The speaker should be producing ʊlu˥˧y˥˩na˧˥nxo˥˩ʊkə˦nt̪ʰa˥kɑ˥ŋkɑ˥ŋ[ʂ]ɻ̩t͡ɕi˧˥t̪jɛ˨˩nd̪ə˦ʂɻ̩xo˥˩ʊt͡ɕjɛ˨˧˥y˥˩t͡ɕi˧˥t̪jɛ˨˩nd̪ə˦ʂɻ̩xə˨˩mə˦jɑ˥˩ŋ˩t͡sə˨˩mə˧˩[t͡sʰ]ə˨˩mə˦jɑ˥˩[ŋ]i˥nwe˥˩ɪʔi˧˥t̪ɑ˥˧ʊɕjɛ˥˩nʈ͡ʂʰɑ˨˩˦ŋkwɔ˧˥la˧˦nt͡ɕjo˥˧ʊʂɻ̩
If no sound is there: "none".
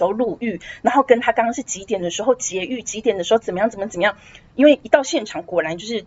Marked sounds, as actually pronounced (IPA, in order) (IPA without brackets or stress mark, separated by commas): ʂ, t͡s, ŋ